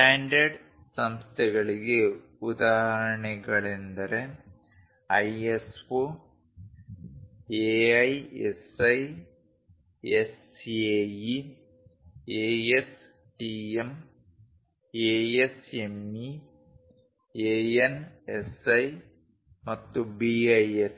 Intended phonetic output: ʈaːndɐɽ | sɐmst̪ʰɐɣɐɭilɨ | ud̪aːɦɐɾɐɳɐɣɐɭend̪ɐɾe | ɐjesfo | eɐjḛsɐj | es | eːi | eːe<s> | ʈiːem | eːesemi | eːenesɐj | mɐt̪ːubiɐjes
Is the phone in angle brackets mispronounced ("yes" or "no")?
no